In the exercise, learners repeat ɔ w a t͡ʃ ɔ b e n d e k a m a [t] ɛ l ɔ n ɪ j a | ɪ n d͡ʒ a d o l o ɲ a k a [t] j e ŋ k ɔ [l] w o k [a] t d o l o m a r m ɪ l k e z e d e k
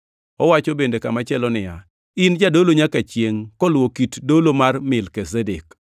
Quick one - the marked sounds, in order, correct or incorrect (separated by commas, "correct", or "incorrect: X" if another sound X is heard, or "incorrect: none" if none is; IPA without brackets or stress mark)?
incorrect: t͡ʃ, incorrect: t͡ʃ, correct, incorrect: i